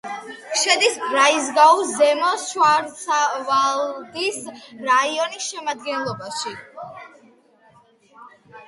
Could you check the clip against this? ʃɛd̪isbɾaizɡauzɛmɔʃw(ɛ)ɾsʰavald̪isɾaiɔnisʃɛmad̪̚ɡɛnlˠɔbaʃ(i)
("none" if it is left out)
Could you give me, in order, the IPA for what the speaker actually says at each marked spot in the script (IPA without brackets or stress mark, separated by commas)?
a, i